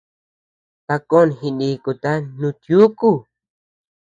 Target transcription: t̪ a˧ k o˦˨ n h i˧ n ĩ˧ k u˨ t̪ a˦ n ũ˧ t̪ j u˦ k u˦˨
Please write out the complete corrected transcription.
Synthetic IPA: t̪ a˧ k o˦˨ n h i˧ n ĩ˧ k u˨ t̪ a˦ n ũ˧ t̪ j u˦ k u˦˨